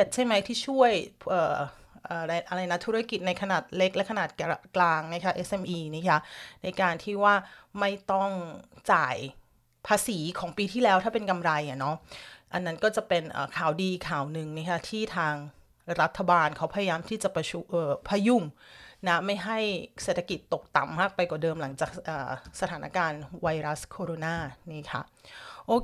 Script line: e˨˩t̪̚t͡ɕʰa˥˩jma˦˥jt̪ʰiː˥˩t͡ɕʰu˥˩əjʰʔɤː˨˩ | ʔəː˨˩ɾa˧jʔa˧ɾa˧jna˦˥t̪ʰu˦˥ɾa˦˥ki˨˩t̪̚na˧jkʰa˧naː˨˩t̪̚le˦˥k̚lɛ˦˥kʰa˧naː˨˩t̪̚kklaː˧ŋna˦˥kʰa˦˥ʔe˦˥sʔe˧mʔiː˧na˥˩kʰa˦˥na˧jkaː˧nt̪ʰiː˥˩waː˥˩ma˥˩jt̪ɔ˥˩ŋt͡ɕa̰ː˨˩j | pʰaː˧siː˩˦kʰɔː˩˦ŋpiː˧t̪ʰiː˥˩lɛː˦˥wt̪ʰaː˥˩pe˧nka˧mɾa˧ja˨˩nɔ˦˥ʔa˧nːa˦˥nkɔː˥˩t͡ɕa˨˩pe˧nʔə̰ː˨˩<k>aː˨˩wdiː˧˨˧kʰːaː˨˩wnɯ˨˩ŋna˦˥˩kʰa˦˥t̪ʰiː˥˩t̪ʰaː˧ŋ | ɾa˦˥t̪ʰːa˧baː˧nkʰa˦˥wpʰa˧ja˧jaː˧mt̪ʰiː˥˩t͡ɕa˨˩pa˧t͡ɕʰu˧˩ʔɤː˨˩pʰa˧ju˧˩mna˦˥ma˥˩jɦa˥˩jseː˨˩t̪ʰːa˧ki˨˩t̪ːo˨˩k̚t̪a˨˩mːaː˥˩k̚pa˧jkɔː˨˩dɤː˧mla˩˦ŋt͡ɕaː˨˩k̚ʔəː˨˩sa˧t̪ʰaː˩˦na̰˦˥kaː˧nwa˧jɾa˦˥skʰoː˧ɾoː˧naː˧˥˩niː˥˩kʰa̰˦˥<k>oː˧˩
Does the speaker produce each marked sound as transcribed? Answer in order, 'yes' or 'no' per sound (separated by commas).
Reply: no, no